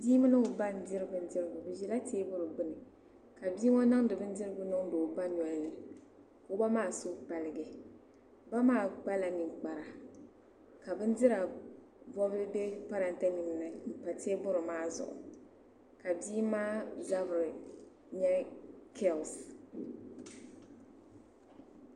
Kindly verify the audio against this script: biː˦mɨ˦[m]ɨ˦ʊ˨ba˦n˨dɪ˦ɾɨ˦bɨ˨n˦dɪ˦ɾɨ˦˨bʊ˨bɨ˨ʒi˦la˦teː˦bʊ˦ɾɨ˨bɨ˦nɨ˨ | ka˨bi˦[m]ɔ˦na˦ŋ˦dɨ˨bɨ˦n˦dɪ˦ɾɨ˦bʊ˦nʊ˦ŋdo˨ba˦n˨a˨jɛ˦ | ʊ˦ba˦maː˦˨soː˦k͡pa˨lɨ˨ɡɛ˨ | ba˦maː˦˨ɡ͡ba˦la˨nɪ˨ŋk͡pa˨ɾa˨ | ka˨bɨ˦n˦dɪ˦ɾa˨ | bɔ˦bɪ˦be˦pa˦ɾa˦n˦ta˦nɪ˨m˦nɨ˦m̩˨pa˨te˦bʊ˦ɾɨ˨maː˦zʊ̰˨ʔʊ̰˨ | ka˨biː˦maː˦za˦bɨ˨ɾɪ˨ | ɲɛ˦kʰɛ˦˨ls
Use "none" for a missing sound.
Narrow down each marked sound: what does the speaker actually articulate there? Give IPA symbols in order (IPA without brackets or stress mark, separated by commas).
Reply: n, ŋ